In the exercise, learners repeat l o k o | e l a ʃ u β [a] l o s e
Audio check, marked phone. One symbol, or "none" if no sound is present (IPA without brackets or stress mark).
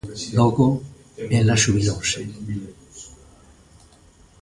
i